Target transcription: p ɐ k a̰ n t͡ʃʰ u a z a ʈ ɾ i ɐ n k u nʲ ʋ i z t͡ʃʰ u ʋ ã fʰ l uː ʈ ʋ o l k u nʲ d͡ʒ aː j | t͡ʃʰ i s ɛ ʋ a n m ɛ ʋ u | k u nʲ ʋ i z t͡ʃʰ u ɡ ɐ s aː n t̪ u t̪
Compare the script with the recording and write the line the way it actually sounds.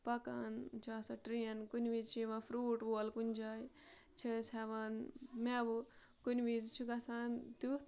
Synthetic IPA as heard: p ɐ k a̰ n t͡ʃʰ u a s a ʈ ɾ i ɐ n k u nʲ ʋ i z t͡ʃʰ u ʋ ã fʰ ɾ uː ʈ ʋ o l k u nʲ d͡ʒ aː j | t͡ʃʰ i s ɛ ʋ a n m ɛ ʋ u | k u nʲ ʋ i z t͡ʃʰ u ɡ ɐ s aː n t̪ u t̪